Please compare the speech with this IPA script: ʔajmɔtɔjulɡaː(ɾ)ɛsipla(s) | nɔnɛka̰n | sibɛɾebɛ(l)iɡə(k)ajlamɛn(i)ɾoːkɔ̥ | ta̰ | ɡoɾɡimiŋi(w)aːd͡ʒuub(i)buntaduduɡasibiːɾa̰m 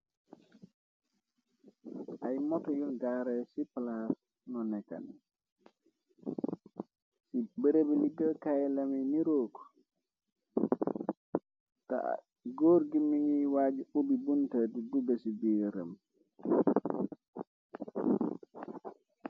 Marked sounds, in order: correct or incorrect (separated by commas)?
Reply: correct, correct, correct, correct, correct, correct, correct